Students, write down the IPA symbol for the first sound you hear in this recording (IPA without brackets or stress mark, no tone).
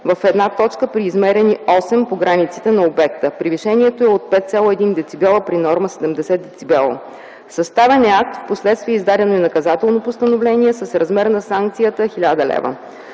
v